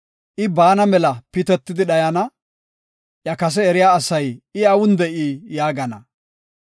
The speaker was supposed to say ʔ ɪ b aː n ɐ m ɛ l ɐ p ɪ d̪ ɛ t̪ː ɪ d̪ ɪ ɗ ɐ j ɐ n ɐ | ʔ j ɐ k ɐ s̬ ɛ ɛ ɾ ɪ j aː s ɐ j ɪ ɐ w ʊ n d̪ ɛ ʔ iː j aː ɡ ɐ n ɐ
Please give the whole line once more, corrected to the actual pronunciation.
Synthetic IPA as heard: ʔ ɪ b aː n ɐ m ɛ l ɐ p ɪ t̪ ɛ t̪ː ɪ d̪ ɪ ɗ ɐ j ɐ n ɐ | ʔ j ɐ k ɐ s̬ ɛ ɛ ɾ ɪ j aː s ɐ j ɪ ɐ w ʊ n d̪ ɛ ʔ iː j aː ɡ ɐ n ɐ